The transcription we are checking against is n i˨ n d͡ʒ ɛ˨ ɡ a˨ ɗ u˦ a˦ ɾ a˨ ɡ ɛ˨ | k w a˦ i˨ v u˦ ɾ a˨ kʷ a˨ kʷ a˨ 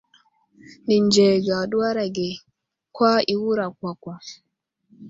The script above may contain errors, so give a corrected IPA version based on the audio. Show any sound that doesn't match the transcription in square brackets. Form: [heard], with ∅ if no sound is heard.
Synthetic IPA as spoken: n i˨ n d͡ʒ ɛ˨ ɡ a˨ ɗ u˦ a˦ ɾ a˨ ɡ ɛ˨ | k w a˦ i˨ [w] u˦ ɾ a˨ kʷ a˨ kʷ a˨